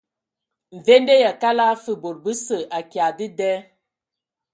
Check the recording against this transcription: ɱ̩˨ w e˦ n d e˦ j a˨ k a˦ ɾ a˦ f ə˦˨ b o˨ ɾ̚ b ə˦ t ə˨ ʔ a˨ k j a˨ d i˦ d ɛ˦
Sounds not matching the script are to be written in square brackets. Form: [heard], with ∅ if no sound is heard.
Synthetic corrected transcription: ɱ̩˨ [v] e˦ n d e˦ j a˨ k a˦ [l] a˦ f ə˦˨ b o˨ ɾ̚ b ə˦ [s] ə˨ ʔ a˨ k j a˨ d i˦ d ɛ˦